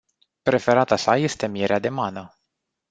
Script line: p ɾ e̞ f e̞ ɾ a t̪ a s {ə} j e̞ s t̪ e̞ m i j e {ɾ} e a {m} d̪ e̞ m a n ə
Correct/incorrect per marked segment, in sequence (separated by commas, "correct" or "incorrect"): incorrect, correct, incorrect